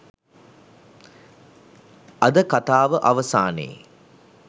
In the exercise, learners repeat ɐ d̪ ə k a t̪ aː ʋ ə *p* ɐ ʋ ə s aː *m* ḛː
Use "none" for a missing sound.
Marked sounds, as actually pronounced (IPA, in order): ʔ, n

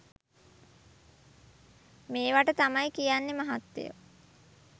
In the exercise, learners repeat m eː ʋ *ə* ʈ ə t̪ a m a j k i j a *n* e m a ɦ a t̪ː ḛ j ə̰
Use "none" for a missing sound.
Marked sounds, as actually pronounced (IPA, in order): a, nː

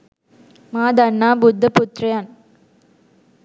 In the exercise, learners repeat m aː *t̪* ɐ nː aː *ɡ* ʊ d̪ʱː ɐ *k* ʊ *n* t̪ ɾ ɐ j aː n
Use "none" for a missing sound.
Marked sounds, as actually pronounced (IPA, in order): d̪, b, p, none

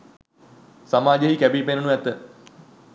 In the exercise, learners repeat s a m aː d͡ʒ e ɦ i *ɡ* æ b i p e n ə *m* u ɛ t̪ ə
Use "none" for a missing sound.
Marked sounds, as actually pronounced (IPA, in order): k, n

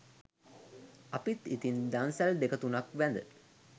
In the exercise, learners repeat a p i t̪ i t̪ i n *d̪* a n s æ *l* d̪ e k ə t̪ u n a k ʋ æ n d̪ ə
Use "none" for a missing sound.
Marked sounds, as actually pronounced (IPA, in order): d̪, l

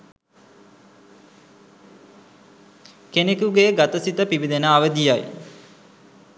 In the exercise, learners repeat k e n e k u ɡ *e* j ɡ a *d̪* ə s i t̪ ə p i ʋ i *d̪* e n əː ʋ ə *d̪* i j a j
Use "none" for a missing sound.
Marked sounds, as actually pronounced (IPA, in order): e, t̪, d̪, d̪

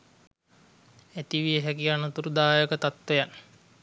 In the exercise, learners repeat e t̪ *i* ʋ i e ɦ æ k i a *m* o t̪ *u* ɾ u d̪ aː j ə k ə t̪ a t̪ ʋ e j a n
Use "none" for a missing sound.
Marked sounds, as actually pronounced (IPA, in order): i, n, u

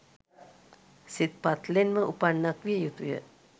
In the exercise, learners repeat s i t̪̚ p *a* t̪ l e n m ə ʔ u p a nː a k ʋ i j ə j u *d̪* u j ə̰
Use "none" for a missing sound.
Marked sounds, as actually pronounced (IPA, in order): a, t̪

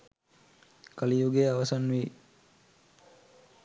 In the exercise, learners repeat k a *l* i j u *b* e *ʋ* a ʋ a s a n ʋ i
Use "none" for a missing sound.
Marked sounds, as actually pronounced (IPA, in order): l, ɡ, none

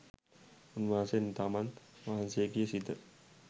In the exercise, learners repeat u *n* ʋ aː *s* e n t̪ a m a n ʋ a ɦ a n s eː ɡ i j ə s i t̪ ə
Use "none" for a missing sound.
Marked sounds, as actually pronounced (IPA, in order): n, s

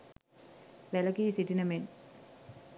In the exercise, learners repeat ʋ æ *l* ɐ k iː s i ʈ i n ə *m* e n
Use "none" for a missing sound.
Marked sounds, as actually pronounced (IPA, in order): l, m

